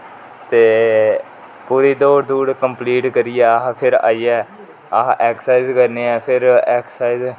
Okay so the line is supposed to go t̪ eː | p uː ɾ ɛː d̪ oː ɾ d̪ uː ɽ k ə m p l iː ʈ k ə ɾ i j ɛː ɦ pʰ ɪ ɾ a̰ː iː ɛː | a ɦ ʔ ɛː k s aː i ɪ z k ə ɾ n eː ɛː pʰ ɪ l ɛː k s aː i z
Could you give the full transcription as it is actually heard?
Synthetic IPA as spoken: t̪ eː | p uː ɾ iː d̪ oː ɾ d̪ uː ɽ k ə m p l iː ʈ k ə ɾ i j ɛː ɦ pʰ ɪ ɾ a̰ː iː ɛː | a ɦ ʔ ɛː k s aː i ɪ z k ə ɾ n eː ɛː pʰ ɪ ɾ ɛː k s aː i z